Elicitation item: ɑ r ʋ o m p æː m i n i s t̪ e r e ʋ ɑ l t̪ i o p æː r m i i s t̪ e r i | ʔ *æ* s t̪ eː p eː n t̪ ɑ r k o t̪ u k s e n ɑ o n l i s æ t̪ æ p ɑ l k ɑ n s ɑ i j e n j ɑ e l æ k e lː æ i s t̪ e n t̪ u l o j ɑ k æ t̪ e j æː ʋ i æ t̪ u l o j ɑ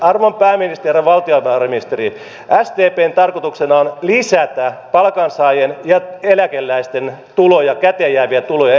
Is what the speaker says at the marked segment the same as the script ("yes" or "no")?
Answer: yes